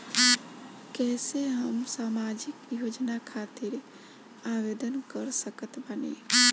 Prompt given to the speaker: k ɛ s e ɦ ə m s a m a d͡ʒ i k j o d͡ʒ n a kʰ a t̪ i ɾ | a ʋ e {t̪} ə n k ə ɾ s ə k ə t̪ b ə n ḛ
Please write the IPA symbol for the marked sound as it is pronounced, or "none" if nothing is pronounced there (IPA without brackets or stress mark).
d̪